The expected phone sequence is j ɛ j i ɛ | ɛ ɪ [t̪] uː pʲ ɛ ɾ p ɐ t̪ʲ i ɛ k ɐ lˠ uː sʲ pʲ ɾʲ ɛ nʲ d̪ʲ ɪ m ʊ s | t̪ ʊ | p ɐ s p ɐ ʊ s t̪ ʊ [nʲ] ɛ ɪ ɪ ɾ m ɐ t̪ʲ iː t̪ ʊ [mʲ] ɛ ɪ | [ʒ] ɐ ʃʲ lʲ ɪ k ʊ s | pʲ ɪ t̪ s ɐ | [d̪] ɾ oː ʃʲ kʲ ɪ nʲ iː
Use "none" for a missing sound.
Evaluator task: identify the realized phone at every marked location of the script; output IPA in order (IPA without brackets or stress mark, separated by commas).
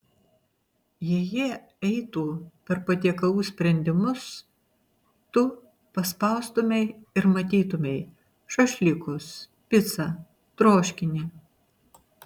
t̪, mʲ, mʲ, ʃ, t̪